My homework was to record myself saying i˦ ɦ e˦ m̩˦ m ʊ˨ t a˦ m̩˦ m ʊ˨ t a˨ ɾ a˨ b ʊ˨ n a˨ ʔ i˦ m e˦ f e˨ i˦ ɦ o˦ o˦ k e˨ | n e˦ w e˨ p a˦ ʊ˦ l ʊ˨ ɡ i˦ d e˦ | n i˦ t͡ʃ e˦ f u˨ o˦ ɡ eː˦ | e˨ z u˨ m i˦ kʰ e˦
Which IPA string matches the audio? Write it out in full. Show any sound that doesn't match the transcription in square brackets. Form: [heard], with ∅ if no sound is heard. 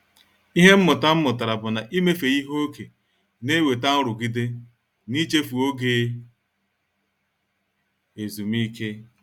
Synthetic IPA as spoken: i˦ ɦ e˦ m̩˦ m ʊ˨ t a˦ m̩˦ m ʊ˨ t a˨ ɾ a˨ b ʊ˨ n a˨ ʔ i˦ m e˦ f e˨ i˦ ɦ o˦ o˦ k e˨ | n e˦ w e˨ [t] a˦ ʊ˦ [ɾ] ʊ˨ ɡ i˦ d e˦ | n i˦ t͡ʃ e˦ f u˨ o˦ ɡ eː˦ | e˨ z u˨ m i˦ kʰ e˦